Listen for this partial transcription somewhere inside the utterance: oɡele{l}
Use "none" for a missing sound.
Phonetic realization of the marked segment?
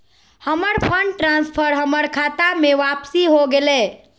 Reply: none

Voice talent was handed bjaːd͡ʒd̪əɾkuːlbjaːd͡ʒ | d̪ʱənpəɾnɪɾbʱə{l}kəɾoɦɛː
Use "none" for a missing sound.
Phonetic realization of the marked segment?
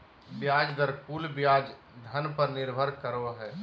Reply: ɾ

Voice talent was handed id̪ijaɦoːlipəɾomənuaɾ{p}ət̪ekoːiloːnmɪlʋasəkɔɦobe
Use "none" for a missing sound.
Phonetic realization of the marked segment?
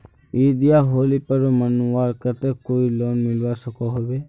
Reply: k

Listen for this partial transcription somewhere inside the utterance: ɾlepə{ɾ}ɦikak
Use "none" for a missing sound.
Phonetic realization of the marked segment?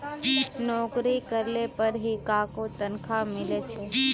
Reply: ɾ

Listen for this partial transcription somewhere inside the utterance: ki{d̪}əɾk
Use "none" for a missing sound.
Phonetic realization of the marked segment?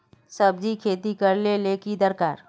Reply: d̪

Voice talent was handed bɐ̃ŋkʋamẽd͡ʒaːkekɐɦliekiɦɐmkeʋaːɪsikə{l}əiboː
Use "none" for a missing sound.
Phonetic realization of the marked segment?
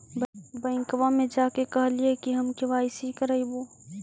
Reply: ɾ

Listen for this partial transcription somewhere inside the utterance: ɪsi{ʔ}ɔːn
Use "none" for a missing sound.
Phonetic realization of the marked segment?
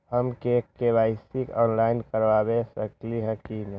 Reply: k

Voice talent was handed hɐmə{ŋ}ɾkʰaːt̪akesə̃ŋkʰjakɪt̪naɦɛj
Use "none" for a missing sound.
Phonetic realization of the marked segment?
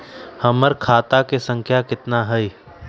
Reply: none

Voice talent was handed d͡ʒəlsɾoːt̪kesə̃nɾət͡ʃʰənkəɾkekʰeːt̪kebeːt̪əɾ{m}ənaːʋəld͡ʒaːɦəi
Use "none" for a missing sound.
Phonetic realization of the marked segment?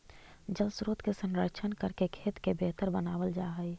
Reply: b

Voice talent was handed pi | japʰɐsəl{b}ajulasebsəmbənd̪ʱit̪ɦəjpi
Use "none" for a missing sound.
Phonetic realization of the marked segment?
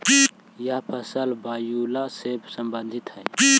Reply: b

